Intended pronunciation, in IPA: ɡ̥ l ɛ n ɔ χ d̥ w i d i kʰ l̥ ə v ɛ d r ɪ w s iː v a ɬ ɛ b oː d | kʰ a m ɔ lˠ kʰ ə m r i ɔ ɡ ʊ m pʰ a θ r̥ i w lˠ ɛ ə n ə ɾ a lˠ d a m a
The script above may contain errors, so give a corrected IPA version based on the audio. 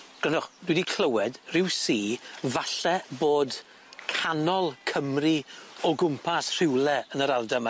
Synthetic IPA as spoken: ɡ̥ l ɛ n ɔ χ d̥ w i d i kʰ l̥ ə w ɛ d r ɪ w s iː v a ɬ ɛ b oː d | kʰ a n ɔ lˠ kʰ ə m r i ɔ ɡ ʊ m pʰ a s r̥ ɪ w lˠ ɛ ə n ə ɾ a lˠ d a m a